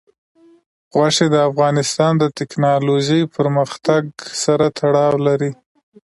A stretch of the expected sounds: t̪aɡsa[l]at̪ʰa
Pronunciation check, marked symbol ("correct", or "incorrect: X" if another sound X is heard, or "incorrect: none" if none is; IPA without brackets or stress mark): incorrect: ɾ